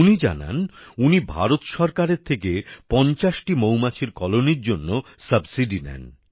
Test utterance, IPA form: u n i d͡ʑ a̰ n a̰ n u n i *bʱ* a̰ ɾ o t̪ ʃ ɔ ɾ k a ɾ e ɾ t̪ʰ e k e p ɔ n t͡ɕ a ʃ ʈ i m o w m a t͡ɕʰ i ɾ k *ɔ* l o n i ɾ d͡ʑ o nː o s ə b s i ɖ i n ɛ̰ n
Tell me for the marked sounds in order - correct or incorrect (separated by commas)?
correct, correct